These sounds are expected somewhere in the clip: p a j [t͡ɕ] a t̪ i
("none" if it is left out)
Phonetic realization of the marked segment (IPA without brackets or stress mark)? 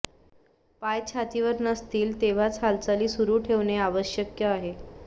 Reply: t͡ɕʰ